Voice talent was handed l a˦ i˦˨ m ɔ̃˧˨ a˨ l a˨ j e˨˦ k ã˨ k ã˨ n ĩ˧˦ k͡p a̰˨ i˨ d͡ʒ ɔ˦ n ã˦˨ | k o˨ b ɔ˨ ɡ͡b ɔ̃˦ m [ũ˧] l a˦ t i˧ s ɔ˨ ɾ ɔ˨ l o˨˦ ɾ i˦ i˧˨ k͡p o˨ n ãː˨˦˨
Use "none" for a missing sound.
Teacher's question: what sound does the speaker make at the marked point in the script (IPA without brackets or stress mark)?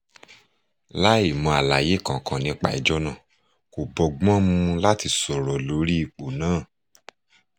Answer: ũ˧